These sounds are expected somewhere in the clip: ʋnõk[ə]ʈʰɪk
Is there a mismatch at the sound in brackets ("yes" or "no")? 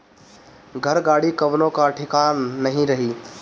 yes